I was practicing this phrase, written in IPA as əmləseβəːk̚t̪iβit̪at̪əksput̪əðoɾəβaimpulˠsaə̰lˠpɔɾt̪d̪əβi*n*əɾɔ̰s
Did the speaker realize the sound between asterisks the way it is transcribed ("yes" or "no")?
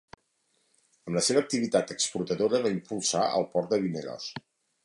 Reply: yes